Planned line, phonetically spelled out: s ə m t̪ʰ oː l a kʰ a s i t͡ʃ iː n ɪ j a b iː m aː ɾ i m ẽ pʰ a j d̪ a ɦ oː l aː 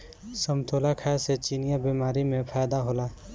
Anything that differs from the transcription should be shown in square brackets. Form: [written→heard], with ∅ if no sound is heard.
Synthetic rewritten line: s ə m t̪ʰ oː l a kʰ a s [i→e] t͡ʃ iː n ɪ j a b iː m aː ɾ i m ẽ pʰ a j d̪ a ɦ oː l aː